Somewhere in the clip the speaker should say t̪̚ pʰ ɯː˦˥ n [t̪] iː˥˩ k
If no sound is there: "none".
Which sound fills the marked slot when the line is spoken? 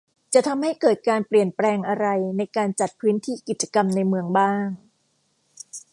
t̪ʰ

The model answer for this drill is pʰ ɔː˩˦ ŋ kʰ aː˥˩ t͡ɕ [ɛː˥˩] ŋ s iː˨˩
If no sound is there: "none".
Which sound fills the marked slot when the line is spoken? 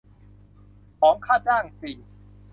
aː˥˩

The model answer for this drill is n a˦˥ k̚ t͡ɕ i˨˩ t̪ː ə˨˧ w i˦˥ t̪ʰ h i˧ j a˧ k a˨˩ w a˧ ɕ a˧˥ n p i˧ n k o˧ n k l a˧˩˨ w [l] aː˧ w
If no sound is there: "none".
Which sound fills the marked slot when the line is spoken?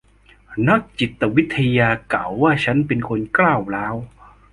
l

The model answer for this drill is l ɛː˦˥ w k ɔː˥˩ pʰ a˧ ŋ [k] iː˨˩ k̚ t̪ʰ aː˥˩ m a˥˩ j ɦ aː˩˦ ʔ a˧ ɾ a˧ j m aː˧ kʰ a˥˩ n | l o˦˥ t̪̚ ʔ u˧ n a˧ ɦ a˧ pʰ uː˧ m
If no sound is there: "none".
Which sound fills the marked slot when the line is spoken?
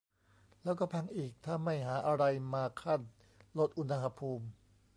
ʔ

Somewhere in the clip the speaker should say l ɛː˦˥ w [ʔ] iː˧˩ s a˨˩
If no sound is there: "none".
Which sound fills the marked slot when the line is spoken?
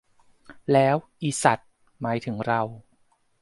ʔ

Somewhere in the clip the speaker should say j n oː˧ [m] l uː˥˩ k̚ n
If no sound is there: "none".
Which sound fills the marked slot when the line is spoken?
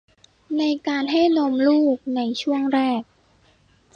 m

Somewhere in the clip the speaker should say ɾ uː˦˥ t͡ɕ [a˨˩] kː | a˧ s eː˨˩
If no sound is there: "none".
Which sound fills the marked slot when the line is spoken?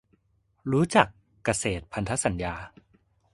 a˨˩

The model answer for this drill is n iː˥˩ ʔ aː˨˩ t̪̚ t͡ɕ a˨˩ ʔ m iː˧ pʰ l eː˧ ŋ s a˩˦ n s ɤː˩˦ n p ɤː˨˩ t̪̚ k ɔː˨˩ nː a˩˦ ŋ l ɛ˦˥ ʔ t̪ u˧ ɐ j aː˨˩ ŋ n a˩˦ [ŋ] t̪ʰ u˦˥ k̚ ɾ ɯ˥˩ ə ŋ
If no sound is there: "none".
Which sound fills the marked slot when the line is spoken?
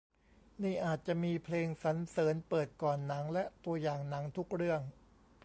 ŋ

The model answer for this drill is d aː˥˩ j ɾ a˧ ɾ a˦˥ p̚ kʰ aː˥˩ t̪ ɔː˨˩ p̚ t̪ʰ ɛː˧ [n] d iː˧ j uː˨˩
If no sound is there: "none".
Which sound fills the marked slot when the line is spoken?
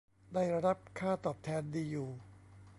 n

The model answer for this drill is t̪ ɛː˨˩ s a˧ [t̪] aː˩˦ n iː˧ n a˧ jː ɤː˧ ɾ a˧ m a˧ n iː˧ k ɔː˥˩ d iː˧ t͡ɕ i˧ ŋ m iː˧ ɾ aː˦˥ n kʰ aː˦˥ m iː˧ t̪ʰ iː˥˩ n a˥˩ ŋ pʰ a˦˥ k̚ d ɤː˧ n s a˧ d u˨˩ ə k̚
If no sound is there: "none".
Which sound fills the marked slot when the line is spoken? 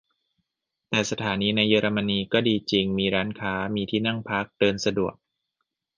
t̪ʰ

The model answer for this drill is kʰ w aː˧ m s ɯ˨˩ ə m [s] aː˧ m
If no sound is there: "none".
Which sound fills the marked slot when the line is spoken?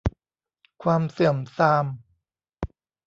s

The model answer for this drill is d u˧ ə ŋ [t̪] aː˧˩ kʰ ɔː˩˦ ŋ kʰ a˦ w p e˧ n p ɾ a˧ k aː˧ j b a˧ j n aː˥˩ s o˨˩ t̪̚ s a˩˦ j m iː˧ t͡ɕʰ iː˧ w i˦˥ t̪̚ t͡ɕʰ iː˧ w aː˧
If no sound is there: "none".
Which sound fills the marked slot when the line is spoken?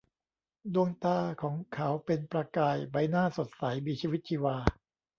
t̪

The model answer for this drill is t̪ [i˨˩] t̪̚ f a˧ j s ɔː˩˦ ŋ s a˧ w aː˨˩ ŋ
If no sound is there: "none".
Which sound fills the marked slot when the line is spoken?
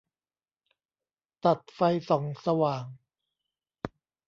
a˨˩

